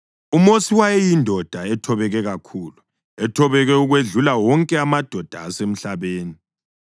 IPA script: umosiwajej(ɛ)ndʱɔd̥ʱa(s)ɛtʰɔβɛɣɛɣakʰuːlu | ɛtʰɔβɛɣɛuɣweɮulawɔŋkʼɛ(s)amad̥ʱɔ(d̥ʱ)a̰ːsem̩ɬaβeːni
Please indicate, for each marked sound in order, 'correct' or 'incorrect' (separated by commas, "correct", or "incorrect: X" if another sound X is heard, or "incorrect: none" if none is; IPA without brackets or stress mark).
incorrect: i, incorrect: none, incorrect: none, correct